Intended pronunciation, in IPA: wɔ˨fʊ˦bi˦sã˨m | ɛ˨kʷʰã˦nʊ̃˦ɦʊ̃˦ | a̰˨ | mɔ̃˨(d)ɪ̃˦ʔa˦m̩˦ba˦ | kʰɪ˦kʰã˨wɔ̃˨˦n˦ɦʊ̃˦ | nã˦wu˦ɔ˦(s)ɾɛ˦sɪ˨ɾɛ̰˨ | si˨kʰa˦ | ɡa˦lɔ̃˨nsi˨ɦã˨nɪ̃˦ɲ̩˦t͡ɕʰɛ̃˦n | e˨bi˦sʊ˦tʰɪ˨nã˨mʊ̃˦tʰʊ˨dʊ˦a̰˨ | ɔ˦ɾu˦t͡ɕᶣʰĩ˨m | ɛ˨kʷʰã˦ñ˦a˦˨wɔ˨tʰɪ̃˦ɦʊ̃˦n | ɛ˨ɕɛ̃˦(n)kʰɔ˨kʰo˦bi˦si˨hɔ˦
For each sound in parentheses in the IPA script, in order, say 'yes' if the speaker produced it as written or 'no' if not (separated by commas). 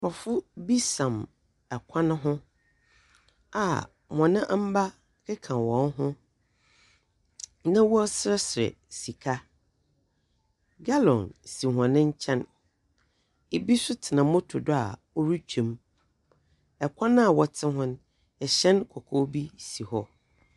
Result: no, yes, yes